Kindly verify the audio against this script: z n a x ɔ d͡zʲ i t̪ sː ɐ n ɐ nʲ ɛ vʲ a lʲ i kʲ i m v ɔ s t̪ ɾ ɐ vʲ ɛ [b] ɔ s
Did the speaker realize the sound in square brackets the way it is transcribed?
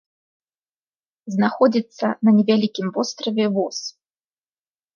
no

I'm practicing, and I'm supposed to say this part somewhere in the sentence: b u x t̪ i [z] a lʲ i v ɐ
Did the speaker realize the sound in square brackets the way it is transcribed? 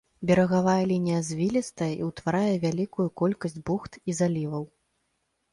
yes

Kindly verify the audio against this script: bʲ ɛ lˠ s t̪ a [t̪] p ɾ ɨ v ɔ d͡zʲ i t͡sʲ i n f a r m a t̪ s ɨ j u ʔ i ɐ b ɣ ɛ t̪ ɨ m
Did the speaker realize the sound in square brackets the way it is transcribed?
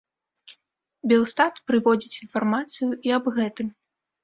yes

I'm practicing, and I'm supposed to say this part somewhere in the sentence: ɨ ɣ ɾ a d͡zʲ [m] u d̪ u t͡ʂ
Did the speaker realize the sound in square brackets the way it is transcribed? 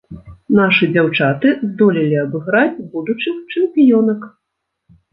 no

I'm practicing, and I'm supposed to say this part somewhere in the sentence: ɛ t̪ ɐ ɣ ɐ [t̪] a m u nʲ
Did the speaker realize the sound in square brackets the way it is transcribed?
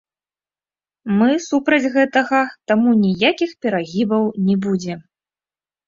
yes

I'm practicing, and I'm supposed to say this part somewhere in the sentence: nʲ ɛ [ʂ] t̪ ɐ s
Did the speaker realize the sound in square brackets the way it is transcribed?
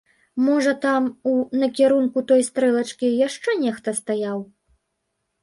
no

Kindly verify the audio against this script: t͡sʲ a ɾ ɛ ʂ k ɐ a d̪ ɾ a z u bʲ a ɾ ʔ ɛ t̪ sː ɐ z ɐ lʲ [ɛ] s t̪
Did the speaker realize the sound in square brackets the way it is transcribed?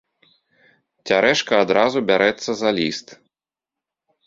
no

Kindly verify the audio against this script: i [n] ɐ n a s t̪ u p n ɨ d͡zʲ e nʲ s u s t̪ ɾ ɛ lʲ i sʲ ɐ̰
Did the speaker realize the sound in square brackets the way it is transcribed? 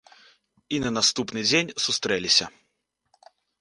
yes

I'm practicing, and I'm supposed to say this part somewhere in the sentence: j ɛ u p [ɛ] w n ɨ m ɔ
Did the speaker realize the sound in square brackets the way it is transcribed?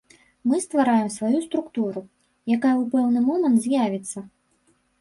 yes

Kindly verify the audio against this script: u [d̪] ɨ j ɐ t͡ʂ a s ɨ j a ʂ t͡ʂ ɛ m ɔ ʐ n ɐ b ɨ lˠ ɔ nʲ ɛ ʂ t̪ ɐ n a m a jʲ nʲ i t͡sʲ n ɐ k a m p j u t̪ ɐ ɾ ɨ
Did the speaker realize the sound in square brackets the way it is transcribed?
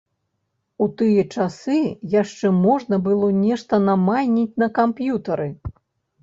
no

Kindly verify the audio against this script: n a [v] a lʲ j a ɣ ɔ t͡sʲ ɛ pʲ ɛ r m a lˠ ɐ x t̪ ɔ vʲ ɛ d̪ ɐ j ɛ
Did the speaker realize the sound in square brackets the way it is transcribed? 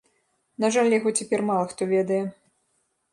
no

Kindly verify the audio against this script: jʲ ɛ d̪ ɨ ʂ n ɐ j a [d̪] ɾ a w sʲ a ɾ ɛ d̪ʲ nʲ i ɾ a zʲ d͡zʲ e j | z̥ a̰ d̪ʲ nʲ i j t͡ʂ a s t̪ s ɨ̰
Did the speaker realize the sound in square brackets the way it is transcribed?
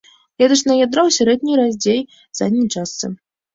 yes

